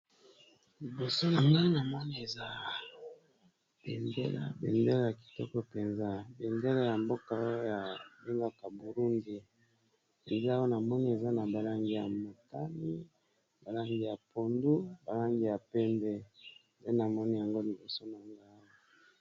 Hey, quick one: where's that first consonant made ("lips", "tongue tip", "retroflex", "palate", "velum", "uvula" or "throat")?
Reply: tongue tip